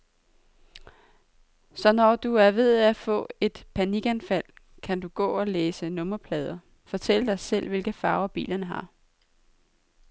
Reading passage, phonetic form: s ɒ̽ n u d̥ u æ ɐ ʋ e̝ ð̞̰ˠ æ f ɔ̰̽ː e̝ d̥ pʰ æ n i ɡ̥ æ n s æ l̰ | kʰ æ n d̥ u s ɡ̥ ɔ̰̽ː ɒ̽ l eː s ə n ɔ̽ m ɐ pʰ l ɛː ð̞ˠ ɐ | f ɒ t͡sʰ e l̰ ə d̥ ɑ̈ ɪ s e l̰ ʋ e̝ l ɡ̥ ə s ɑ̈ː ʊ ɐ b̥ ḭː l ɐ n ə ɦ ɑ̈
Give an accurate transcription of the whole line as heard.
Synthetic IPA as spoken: s ɒ̽ n ɒ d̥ u æ ɐ ʋ e̝ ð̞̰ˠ æ f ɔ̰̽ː e̝ d̥ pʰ æ n i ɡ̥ æ n f æ l̰ | kʰ æ n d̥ u ɡ̥ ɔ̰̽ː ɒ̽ l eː s ə n ɔ̽ m ɐ pʰ l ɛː ð̞ˠ ɐ | f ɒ t͡sʰ e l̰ ə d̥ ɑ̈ ɪ s e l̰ ʋ e̝ l ɡ̥ ə f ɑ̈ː ʊ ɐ b̥ ḭː l ɐ n ə ɦ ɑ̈